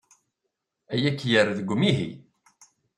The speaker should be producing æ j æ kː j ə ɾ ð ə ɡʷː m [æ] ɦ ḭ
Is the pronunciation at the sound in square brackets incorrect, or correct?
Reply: incorrect